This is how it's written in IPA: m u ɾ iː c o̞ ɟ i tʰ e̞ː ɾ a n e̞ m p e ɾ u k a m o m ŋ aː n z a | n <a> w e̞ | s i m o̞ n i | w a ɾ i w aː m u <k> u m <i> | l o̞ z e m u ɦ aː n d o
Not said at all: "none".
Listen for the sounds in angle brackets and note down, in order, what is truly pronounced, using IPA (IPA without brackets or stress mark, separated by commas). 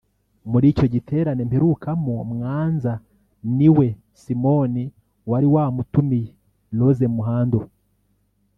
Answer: i, t, i